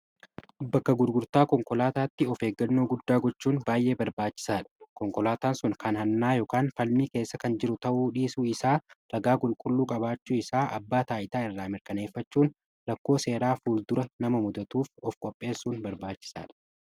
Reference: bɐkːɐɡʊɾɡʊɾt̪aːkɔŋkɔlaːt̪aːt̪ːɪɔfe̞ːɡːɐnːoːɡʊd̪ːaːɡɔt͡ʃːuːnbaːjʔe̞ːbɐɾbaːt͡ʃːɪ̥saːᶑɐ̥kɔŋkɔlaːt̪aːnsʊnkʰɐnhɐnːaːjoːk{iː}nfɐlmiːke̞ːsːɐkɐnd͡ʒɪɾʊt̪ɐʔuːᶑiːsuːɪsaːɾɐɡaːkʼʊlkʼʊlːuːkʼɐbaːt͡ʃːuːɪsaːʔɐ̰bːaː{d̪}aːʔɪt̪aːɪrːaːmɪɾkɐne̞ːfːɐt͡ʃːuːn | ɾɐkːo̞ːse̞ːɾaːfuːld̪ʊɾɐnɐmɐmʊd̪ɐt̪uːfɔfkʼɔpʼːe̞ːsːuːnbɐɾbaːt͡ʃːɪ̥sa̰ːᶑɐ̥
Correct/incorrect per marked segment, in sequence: incorrect: aː, incorrect: t̪

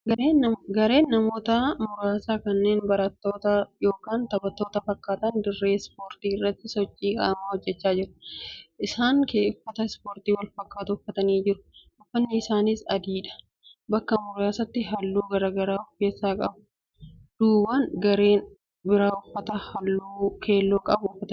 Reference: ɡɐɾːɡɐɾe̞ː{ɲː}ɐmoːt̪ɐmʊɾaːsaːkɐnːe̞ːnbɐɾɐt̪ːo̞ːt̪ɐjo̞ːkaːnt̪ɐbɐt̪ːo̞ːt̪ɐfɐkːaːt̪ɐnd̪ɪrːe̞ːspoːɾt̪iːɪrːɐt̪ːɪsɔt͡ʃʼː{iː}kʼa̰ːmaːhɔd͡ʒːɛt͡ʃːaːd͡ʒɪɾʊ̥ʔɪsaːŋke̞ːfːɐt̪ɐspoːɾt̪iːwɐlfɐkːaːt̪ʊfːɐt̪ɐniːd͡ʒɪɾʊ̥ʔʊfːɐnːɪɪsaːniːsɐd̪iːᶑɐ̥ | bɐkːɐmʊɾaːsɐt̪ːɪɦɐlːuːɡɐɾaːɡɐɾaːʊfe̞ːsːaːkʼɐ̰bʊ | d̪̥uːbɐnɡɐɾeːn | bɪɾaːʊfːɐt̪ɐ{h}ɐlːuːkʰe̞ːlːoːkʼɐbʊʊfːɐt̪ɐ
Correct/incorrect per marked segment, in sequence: incorrect: nː, correct, correct

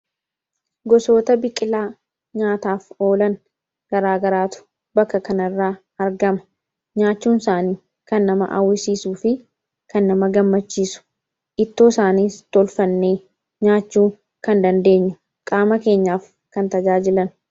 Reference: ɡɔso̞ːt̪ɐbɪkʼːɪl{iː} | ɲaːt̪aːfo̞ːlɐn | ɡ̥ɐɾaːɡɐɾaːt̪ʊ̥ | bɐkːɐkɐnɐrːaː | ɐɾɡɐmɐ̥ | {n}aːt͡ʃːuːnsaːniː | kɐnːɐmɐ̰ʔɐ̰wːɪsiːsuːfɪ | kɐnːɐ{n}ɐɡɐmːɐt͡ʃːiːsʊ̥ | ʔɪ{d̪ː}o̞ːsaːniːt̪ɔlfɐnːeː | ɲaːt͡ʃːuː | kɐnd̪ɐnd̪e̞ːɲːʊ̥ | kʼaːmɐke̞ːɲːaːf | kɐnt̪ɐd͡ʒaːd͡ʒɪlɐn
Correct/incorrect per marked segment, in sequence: incorrect: aː, incorrect: ɲ, incorrect: m, incorrect: t̪ː

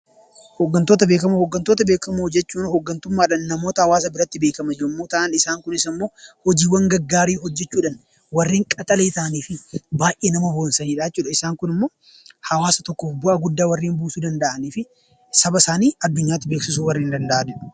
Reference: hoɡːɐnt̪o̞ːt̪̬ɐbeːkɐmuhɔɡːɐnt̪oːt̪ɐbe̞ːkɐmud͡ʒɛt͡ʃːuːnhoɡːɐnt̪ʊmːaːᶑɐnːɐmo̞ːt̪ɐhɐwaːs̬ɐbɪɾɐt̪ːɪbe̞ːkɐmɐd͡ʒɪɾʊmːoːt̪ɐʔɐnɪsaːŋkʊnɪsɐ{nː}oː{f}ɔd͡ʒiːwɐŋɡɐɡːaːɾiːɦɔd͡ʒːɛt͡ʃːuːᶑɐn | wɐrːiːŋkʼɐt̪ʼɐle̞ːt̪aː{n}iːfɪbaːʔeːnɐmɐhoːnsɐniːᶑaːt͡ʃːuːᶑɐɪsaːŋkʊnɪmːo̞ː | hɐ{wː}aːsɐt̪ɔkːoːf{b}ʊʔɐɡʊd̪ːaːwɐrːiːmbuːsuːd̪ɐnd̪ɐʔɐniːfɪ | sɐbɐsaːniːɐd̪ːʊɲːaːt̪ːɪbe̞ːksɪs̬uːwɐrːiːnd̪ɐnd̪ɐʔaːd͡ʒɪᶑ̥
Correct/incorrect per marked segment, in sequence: incorrect: mː, incorrect: h, correct, incorrect: w, correct

